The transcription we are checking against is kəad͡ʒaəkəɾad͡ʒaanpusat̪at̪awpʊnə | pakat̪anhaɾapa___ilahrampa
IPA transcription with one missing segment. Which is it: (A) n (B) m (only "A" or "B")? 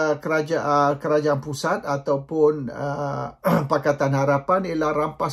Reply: A